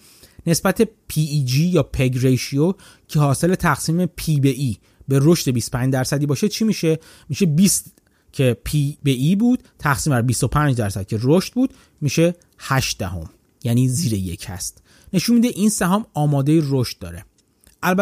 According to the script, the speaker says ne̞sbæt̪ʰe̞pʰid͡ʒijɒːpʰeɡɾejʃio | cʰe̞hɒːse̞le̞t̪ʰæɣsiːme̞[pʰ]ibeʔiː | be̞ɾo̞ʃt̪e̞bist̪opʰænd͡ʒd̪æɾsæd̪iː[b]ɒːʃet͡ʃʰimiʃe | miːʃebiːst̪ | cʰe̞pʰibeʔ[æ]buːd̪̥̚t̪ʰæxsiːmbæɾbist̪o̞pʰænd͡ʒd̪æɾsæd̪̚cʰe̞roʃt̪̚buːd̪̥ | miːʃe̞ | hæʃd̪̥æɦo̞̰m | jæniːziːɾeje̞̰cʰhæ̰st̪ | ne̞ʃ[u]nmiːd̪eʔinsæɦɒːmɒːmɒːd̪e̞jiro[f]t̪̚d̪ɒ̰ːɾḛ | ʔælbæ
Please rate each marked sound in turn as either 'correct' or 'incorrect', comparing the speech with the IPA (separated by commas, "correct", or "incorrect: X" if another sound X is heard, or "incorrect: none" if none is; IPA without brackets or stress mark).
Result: correct, correct, incorrect: i, correct, incorrect: ʃ